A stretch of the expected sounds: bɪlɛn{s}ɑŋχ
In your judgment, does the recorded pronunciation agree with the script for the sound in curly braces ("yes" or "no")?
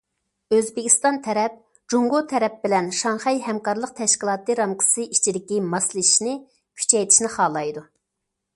no